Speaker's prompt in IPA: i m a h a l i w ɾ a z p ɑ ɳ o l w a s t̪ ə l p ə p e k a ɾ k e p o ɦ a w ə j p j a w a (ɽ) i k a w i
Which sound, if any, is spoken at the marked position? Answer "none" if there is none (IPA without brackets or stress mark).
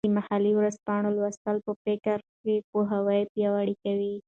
ɽ